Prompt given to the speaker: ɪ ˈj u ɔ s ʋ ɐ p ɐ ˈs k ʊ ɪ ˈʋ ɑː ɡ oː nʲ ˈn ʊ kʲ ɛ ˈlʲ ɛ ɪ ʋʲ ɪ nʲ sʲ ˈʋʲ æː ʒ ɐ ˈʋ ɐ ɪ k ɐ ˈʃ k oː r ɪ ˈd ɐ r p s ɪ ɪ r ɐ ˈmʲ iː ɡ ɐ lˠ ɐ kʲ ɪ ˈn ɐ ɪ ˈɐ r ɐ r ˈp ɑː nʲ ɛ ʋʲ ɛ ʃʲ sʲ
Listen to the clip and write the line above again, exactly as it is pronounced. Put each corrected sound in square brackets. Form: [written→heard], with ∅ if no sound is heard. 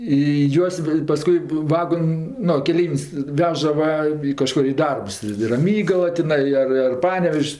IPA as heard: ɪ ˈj u ɔ s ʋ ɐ p ɐ ˈs k ʊ ɪ ˈʋ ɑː ɡ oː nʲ ˈn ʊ kʲ ɛ ˈlʲ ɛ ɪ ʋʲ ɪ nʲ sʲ ˈʋʲ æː ʒ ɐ ˈʋ ɐ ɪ k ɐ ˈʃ k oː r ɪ ˈd ɐ r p s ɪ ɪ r ɐ ˈmʲ iː ɡ ɐ lˠ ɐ [kʲ→tʲ] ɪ ˈn ɐ ɪ ˈɐ r ɐ r ˈp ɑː nʲ ɛ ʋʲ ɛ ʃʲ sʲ